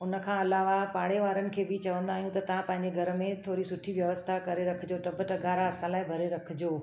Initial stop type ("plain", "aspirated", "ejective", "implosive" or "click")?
aspirated